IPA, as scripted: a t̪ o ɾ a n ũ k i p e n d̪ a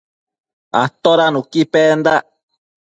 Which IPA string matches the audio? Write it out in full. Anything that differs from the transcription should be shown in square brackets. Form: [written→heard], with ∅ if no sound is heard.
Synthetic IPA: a t̪ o ɾ a n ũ k i p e n d̪ a